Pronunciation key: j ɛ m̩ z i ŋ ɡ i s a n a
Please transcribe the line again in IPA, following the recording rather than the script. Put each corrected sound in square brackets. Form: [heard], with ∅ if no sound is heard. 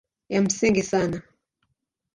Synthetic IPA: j [a] m̩ [s] i ŋ ɡ i s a n a